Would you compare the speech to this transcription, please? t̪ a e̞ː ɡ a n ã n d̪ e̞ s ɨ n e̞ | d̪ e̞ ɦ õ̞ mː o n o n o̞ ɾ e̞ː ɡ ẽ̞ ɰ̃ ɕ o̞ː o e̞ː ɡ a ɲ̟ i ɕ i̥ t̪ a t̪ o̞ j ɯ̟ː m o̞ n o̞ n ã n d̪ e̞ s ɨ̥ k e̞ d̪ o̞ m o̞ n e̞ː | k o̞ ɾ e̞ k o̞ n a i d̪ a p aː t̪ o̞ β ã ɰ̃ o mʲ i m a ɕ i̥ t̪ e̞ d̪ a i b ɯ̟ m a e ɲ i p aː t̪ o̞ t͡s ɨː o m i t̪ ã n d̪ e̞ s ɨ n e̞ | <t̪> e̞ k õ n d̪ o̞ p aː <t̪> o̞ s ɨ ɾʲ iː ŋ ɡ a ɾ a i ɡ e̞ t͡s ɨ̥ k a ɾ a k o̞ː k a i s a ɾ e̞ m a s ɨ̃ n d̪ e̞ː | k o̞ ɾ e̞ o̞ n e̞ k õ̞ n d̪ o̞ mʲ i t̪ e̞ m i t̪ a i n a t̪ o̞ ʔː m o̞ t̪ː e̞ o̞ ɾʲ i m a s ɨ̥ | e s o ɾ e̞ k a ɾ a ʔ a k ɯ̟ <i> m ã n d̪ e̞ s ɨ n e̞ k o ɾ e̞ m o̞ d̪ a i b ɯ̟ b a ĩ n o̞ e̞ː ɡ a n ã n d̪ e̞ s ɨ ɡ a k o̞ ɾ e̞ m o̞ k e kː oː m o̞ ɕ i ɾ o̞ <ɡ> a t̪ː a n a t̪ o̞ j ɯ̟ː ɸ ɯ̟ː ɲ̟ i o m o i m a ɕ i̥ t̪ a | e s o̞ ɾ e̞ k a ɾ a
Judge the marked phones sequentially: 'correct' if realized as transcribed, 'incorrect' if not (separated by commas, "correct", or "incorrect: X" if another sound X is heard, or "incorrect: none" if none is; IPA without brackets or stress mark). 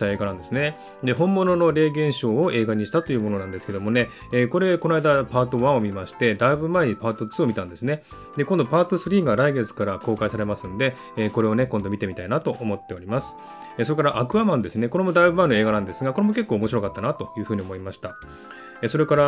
incorrect: d̪, correct, incorrect: a, incorrect: k